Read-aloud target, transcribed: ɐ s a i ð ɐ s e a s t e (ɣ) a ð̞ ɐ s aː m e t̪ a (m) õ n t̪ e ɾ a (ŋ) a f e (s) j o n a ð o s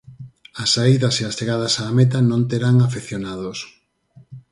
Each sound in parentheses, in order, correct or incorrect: correct, incorrect: n, correct, incorrect: θ

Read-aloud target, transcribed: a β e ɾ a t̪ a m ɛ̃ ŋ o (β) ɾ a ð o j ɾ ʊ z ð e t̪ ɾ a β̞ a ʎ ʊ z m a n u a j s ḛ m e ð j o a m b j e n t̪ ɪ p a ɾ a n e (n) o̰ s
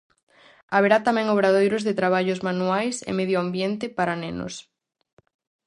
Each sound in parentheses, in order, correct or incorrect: correct, correct

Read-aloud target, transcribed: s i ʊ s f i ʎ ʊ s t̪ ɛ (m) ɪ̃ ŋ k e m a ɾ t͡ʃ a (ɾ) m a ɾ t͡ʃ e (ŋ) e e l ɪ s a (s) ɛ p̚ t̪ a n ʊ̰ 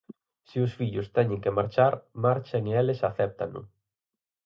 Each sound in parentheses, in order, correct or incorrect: incorrect: ɲ, correct, correct, incorrect: θ

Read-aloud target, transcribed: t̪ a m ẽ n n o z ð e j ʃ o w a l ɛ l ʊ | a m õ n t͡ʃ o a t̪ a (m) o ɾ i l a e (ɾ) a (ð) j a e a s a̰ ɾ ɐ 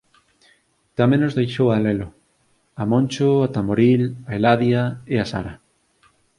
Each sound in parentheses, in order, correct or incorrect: correct, incorrect: l, correct

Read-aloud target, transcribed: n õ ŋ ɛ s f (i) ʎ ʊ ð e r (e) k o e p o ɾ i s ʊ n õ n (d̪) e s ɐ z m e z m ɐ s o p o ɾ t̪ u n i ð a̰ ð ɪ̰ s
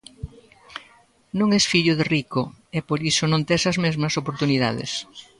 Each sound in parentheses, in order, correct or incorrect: correct, incorrect: i, incorrect: t̪

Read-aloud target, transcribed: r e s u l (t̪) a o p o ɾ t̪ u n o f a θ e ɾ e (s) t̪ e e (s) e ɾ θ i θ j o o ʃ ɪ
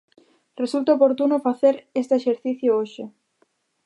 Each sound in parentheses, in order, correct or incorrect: correct, correct, incorrect: ʃ

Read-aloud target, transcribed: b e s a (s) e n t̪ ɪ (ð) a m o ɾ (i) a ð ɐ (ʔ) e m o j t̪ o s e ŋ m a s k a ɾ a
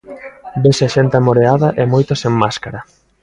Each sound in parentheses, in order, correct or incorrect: incorrect: ʃ, incorrect: none, incorrect: e, correct

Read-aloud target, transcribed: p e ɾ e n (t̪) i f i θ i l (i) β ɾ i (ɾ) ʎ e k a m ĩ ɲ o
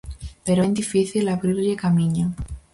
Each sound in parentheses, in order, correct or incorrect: incorrect: d̪, incorrect: a, correct

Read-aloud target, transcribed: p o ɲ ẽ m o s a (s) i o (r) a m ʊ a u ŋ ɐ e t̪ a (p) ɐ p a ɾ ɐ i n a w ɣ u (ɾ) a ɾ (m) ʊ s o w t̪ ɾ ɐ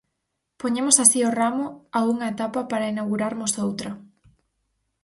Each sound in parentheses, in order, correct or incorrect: correct, correct, correct, correct, correct

